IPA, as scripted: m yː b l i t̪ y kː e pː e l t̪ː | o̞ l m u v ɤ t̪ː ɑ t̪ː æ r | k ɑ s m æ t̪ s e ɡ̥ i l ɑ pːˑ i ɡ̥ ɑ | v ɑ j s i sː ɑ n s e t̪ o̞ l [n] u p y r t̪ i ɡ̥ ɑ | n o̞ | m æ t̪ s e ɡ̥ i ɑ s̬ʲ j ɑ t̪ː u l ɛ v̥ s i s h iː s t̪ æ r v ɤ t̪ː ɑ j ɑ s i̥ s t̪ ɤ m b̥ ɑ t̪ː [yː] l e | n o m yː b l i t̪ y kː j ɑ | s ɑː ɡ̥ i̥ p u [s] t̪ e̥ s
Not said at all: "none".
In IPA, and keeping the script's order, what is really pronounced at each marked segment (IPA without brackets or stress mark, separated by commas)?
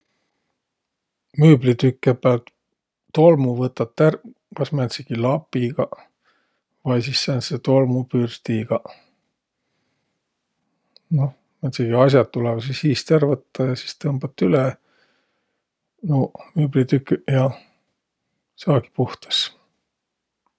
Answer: m, y, h